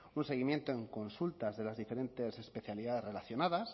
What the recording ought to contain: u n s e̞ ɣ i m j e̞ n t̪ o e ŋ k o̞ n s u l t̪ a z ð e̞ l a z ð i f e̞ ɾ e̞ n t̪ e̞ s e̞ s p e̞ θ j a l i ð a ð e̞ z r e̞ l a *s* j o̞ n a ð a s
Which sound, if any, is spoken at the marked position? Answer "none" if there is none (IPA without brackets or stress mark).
θ